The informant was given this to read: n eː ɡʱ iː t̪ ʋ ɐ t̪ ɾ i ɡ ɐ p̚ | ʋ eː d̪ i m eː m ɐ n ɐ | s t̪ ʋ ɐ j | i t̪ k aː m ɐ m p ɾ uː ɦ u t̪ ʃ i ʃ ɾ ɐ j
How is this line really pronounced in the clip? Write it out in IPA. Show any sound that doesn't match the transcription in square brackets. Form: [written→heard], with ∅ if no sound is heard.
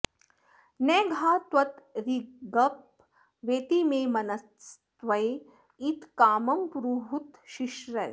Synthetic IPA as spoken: n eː ɡʱ [iː→aː] t̪ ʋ ɐ t̪ ɾ i ɡ ɐ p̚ | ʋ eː [d̪→t̪] i m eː m ɐ n ɐ | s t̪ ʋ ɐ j | i t̪ k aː m ɐ m p ɾ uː ɦ u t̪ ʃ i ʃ ɾ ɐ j

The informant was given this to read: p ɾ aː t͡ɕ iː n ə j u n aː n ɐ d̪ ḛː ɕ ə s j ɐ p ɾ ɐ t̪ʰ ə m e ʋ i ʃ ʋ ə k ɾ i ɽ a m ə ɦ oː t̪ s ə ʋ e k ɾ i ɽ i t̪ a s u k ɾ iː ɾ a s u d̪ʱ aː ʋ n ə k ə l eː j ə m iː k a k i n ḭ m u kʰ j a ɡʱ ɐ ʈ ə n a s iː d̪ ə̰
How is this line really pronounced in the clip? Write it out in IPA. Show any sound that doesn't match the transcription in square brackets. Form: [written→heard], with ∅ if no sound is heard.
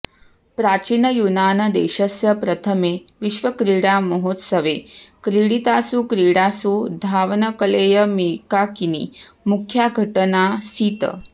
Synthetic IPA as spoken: p ɾ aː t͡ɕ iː n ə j u n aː n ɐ d̪ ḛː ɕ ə s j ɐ p ɾ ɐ t̪ʰ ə m e ʋ i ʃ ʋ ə k ɾ i ɽ a m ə ɦ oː t̪ s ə ʋ e k ɾ i ɽ i t̪ a s u k ɾ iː [ɾ→ɽ] a s u d̪ʱ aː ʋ n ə k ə l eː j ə m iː k a k i n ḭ m u kʰ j a ɡʱ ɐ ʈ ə n a s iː [d̪→t̪] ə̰

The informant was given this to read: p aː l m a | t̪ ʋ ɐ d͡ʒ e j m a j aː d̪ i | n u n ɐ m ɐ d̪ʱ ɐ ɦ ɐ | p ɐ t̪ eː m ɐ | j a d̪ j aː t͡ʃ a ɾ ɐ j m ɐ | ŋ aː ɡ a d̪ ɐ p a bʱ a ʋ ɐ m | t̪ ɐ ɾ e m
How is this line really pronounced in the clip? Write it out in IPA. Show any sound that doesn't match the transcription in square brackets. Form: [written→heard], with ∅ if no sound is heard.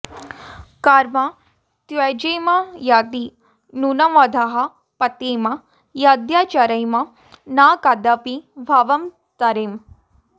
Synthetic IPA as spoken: [p→k] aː [l→ɾ] m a | t̪ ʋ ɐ d͡ʒ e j m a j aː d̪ i | n u n ɐ m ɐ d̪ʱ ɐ ɦ ɐ | p ɐ t̪ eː m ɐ | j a d̪ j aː t͡ʃ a ɾ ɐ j m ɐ | [ŋ→n] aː [ɡ→k] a d̪ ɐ p [a→i] bʱ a ʋ ɐ m | t̪ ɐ ɾ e m

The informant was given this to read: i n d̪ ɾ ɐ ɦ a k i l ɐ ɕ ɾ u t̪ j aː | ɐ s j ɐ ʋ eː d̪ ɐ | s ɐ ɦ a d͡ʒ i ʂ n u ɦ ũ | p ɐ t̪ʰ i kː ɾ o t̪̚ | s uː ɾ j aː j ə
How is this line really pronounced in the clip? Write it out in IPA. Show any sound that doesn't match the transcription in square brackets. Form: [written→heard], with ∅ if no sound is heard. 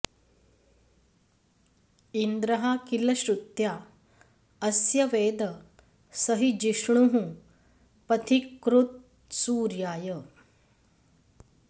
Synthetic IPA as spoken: i n d̪ ɾ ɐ ɦ a k i l ɐ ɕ ɾ u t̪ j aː | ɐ s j ɐ ʋ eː d̪ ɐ | s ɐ ɦ [a→i] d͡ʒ i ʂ [n→ɳ] u ɦ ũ | p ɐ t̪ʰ i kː ɾ [o→u] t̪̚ | s uː ɾ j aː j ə

